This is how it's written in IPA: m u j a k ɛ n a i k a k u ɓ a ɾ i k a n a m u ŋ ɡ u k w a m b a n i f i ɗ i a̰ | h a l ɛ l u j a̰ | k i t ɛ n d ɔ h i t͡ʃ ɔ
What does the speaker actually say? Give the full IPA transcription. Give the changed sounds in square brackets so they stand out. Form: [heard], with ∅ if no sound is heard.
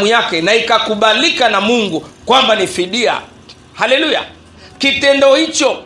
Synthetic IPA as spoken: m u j a k ɛ n a i k a k u ɓ a [l] i k a n a m u ŋ ɡ u k w a m b a n i f i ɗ i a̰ | h a l ɛ l u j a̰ | k i t ɛ n d ɔ h i t͡ʃ ɔ